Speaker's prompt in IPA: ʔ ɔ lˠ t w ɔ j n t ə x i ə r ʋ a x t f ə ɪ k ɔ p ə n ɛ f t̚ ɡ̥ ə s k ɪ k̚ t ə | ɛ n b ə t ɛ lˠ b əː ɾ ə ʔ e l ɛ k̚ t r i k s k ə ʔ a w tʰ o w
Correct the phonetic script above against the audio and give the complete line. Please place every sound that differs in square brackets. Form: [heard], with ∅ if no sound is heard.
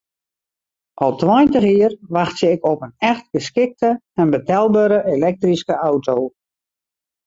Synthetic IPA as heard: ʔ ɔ lˠ t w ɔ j n t ə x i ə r ʋ a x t [s] ə ɪ k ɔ p ə n ɛ [x] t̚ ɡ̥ ə s k ɪ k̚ t ə | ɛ n b ə t ɛ lˠ b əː ɾ ə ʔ e l ɛ k̚ t r i [∅] s k ə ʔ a w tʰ o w